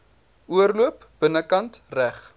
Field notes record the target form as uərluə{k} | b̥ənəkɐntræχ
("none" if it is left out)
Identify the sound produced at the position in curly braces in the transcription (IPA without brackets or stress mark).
p